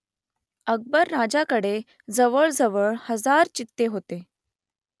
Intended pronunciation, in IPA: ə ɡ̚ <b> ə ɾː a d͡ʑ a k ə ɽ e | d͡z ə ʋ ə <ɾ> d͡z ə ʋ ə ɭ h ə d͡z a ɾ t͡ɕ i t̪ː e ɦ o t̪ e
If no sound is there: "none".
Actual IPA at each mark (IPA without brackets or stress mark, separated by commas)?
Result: b, ɭ